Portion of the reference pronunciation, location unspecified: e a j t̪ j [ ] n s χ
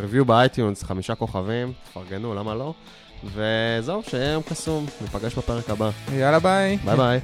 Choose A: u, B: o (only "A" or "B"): A